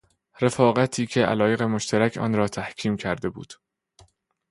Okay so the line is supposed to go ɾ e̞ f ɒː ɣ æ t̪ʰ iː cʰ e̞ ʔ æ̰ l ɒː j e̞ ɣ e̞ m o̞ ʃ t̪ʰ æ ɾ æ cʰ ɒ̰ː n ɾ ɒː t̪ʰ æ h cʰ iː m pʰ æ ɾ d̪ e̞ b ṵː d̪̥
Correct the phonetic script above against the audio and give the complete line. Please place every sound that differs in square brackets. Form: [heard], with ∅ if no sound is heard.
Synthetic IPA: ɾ e̞ f ɒː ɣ æ t̪ʰ iː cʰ e̞ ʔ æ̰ l ɒː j e̞ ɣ e̞ m o̞ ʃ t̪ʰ æ ɾ æ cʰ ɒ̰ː n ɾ ɒː t̪ʰ æ h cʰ iː m [cʰ] æ ɾ d̪ e̞ b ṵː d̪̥